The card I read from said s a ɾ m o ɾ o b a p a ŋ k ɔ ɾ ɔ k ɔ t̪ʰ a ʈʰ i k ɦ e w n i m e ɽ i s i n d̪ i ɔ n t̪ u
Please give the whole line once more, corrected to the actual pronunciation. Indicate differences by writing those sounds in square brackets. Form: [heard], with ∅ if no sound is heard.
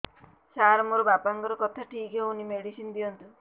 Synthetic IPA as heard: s a ɾ m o ɾ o b a p a ŋ k ɔ ɾ ɔ k ɔ t̪ʰ a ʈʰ i k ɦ e [u] n i m e ɽ i s i n d̪ i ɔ n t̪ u